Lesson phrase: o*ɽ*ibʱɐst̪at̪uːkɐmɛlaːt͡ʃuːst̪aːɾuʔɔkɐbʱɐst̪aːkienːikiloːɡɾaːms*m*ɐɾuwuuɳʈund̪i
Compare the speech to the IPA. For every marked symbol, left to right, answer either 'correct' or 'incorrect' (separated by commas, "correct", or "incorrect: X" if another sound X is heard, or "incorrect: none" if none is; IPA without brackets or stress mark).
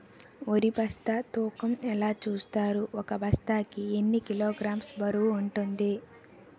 incorrect: ɾ, incorrect: b